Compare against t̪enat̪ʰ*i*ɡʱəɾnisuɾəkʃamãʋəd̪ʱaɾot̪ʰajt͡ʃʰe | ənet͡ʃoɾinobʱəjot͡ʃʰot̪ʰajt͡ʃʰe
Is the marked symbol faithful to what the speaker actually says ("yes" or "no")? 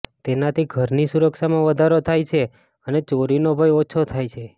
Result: yes